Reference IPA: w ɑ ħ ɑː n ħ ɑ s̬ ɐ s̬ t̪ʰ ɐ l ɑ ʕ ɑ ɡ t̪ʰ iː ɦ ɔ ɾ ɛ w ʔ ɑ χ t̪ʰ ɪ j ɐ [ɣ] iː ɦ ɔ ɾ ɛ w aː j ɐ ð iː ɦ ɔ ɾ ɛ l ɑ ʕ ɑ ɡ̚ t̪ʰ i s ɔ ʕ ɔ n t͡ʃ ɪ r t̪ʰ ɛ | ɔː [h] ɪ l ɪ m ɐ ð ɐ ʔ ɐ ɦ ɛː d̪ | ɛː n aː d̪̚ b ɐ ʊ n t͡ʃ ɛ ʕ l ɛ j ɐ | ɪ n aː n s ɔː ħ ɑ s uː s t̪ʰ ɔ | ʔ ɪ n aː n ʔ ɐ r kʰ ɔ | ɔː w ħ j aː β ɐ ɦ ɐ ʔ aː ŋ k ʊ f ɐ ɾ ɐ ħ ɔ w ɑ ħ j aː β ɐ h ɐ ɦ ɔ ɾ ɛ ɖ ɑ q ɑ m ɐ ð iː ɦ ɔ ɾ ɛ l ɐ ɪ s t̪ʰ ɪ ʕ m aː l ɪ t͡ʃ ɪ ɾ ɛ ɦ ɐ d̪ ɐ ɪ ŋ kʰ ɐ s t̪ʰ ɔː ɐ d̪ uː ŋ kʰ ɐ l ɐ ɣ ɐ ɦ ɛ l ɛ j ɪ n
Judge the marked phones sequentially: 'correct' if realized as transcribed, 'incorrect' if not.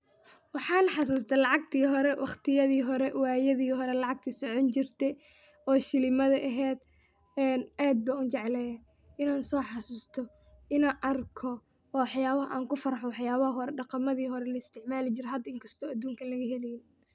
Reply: incorrect, incorrect

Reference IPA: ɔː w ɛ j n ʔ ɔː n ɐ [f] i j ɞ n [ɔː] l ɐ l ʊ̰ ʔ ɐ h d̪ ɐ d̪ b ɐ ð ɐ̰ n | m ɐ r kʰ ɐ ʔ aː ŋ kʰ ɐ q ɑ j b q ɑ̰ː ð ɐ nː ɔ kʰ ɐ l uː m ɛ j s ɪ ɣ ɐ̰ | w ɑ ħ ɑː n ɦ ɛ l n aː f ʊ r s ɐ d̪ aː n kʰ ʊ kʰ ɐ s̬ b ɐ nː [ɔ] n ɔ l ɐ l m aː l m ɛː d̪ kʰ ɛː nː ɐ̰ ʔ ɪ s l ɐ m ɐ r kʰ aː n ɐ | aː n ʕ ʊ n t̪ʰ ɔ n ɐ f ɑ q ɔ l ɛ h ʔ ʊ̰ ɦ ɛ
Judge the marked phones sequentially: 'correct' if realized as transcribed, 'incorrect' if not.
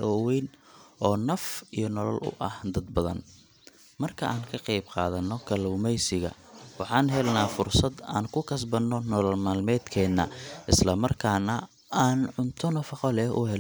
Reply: correct, incorrect, correct

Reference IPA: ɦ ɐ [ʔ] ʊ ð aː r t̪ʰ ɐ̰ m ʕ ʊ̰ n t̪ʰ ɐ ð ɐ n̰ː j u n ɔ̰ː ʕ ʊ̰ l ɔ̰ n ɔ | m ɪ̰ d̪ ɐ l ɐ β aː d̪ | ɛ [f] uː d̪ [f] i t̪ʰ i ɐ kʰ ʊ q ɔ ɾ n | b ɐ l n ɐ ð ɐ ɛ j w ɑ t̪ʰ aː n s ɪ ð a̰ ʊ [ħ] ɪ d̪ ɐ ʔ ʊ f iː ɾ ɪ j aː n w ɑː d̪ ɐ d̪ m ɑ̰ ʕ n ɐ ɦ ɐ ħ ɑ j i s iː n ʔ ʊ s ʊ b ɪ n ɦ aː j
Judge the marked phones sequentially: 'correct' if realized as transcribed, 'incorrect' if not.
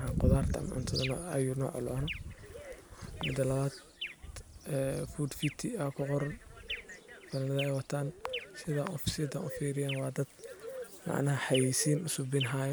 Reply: incorrect, correct, correct, incorrect

